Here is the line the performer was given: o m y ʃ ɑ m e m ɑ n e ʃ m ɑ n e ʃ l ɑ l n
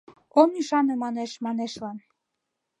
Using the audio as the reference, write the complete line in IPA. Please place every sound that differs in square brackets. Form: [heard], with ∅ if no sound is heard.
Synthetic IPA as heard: o m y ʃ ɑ [n] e m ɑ n e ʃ m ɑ n e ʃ l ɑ [∅] n